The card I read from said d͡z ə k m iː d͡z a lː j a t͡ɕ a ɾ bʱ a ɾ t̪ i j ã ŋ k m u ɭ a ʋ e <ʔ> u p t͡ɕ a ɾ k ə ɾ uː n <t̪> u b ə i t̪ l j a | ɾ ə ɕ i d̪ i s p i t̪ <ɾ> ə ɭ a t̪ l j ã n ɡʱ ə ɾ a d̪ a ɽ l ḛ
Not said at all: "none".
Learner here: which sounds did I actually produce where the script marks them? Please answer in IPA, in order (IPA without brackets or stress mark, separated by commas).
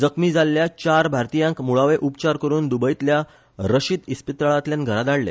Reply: ʔ, d̪, ɾ